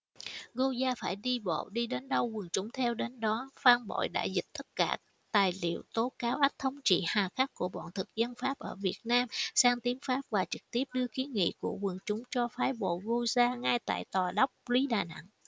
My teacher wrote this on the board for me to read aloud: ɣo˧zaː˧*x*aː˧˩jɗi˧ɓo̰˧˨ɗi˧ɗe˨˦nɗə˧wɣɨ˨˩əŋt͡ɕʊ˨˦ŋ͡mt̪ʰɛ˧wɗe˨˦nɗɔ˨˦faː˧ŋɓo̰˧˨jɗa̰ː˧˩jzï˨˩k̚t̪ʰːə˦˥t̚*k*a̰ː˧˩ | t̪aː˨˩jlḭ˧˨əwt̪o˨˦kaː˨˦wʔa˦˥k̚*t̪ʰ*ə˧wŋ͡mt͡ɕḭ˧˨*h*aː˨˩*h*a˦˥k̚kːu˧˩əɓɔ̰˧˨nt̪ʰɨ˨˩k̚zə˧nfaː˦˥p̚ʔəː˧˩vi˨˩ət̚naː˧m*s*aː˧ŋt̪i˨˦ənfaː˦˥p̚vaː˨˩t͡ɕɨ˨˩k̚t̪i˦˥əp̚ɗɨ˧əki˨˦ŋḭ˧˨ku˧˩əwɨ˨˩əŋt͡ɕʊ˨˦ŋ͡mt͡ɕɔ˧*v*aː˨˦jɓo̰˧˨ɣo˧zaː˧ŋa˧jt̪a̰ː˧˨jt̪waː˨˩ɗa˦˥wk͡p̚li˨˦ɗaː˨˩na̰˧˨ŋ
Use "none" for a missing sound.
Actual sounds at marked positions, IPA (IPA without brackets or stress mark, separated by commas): f, k, t̪ʰ, h, x, s, f